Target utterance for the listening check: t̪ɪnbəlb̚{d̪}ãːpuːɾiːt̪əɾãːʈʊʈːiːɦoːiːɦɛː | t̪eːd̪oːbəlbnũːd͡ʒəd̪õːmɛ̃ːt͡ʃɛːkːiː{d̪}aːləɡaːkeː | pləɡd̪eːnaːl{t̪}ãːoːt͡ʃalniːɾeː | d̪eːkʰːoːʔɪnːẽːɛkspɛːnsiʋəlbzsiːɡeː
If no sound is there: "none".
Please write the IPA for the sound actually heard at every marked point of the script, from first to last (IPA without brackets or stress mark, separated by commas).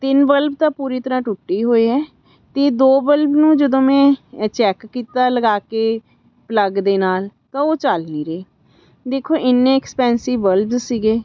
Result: t̪, t̪, t̪